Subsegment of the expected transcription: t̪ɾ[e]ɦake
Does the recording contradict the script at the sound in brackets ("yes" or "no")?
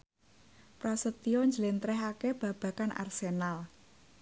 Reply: yes